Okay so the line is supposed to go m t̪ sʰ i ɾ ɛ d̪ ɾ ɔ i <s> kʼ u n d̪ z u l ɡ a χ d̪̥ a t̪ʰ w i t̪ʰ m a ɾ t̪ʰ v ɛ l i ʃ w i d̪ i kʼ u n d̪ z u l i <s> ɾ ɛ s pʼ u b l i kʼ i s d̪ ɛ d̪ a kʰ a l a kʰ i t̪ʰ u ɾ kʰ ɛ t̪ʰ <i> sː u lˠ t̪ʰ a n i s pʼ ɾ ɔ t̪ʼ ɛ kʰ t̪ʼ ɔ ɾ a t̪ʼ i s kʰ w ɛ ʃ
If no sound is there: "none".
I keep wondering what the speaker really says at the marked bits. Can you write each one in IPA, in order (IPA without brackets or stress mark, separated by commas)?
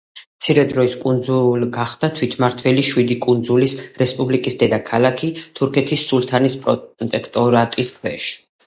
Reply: s, s, i